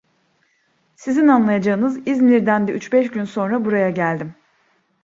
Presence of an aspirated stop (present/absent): absent